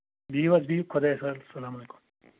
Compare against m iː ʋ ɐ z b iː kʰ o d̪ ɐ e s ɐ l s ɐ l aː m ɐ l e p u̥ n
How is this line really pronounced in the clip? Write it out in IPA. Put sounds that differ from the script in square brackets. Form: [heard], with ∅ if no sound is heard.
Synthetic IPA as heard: [b] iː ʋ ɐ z b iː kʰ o d̪ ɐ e s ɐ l s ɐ l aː m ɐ l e [k] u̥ [m]